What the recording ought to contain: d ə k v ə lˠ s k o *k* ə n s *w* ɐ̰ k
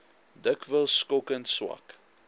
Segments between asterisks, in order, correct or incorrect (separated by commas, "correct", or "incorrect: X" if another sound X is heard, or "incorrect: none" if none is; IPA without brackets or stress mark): correct, correct